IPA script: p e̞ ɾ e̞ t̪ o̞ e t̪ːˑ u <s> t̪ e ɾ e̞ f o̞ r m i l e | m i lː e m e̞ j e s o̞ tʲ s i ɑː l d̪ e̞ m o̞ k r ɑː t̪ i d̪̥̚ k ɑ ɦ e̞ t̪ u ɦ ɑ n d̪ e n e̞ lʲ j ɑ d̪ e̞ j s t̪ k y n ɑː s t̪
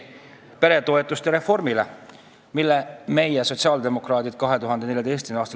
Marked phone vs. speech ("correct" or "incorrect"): correct